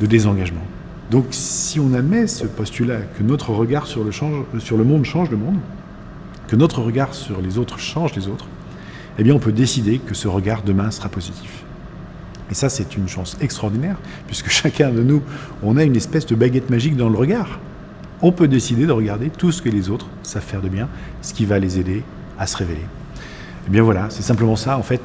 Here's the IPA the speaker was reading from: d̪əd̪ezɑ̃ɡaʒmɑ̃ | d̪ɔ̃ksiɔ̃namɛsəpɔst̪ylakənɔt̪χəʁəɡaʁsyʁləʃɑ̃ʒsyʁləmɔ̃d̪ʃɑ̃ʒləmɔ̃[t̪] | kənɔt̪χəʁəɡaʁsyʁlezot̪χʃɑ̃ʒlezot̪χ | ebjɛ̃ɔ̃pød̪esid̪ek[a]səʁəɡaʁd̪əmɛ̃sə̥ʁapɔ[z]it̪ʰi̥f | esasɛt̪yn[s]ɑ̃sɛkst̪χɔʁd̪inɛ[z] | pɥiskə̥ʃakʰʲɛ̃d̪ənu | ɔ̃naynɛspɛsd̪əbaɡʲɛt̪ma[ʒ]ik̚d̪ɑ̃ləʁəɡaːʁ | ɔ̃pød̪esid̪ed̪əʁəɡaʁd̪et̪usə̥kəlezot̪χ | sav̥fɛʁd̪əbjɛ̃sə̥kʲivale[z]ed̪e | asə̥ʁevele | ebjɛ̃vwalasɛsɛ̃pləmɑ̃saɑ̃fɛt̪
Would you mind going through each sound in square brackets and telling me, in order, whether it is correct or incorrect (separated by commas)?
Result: incorrect, incorrect, correct, incorrect, incorrect, correct, correct